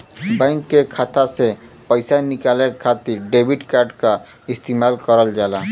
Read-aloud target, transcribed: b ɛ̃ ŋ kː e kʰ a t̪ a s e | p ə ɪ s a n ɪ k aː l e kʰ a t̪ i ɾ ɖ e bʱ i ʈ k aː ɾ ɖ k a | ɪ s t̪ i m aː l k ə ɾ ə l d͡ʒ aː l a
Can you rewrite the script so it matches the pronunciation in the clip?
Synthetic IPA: b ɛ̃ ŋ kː e kʰ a t̪ a s e | p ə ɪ s a n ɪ k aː l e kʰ a t̪ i ɾ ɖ e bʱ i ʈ k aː ɾ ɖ k a | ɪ s t̪ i m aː l k ə ɾ ə l d͡ʒ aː l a